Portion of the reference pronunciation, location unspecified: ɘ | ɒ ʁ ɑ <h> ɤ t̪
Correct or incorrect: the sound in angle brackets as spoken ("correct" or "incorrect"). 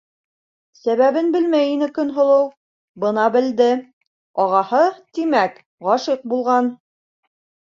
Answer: correct